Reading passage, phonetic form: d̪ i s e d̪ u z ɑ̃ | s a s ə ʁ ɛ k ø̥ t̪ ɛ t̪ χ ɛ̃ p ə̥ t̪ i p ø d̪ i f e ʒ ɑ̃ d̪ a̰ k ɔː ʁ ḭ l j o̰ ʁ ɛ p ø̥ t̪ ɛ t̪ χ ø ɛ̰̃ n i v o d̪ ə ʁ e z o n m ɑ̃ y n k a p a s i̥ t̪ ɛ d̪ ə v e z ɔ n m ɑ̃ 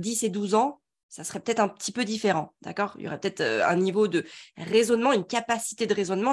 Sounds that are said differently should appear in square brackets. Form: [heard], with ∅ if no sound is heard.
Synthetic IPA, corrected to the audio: d̪ i s e d̪ u z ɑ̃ | s a s ə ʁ ɛ [p] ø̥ t̪ ɛ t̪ χ ɛ̃ p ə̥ t̪ i p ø d̪ i f e [ʁ] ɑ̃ d̪ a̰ k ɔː ʁ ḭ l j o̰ ʁ ɛ p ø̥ t̪ ɛ t̪ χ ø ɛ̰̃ n i v o d̪ ə ʁ e z [ɔ] n m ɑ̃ y n k a p a s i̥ t̪ [e] d̪ ə [ʁ] e z ɔ n m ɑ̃